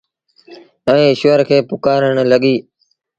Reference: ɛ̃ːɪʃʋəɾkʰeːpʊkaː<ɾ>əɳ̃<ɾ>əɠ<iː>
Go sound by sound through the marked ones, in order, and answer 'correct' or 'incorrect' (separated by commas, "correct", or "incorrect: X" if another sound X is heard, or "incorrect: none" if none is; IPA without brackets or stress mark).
correct, incorrect: l, correct